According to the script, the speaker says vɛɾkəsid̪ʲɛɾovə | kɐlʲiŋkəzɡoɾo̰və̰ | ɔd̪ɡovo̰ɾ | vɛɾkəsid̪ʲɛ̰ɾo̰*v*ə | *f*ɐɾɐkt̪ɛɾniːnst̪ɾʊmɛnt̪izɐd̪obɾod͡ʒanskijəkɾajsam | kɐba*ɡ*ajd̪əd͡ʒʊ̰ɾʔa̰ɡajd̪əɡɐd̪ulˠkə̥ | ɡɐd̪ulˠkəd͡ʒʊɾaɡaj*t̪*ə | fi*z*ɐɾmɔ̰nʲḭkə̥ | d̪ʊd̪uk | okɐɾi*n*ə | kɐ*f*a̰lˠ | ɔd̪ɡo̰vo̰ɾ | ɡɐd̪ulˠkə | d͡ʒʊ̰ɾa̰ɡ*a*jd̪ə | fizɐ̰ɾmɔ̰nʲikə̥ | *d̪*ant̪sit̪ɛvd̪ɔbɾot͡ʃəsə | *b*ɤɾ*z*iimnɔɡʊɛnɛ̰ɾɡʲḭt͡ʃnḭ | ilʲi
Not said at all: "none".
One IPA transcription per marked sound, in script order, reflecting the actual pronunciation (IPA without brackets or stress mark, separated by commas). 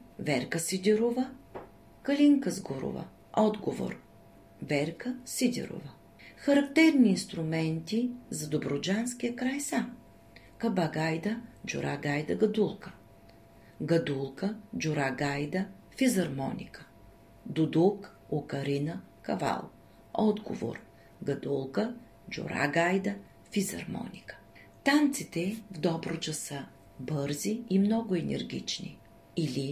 v, x, ɡ, d̪, z, n, v, a, t̪, b, z